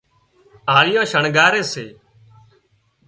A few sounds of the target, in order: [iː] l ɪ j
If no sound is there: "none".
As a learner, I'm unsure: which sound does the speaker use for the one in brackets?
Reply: aː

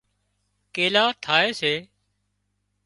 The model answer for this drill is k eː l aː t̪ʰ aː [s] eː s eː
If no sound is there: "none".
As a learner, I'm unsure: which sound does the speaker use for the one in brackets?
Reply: none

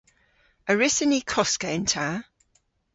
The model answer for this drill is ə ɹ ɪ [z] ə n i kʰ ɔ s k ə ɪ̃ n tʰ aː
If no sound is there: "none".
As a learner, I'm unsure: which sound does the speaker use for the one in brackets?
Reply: s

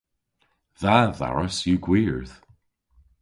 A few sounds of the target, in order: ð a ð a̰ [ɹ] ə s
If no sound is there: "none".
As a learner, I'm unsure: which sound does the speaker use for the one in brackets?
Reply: ɹ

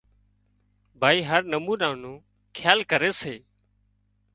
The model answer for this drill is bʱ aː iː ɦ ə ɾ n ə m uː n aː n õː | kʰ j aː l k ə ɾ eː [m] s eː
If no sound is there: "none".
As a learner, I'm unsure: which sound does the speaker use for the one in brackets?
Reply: none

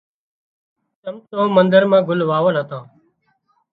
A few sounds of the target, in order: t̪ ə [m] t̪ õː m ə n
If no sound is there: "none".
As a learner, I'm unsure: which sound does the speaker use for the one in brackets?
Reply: m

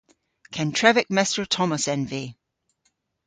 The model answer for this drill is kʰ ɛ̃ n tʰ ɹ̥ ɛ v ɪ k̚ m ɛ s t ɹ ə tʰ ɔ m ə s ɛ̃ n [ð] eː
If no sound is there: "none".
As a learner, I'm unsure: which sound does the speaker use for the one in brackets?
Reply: v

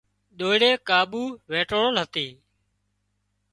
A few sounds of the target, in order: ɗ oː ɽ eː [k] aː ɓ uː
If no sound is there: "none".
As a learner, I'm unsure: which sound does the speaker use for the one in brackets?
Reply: k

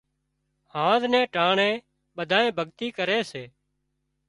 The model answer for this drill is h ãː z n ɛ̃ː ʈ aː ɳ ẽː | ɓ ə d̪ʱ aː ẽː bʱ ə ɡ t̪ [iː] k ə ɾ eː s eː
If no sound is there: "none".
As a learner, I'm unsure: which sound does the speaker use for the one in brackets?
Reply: iː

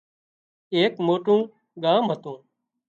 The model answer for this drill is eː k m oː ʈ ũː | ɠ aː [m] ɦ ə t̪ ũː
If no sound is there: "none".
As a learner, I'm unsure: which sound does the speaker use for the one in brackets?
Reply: m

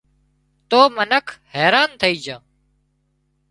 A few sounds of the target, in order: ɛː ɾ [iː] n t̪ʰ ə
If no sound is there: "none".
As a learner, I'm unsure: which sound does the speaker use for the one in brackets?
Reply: aː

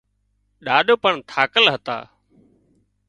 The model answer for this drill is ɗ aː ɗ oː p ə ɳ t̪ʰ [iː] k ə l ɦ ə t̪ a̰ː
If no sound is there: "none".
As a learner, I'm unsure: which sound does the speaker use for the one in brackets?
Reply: aː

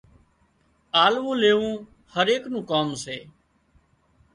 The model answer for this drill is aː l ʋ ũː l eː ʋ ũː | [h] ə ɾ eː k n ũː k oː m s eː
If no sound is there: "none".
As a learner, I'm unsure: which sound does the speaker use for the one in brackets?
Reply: h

